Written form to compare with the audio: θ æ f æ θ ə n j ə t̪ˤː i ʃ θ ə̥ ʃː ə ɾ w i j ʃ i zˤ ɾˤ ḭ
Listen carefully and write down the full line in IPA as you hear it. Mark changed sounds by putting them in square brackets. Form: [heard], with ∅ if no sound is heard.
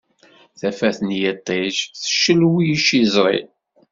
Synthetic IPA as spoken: θ æ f æ θ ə n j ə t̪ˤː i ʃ θ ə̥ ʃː ə [l] w i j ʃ i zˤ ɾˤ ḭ